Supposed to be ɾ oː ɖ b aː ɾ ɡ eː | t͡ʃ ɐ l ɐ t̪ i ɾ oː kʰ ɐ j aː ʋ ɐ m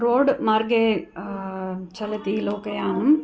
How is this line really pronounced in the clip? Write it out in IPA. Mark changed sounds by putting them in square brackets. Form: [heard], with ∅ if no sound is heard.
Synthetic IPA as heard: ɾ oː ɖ [m] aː ɾ ɡ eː | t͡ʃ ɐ l ɐ t̪ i [l] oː [k] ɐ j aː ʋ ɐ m